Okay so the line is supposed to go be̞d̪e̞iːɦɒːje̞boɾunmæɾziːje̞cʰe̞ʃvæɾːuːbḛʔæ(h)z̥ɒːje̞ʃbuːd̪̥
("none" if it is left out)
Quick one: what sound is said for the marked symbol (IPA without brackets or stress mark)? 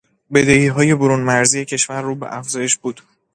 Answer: f